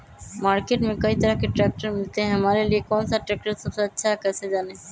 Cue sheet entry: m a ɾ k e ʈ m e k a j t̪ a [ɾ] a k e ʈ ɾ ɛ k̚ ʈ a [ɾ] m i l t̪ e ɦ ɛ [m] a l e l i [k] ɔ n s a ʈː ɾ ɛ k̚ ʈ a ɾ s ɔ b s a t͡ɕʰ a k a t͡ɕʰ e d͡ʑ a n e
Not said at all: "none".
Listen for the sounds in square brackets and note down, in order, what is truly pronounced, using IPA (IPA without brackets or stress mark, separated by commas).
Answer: ɾ, ɾ, m, k